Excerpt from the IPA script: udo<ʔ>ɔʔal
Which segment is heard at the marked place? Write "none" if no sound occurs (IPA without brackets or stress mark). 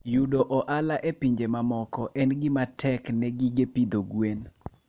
ʔ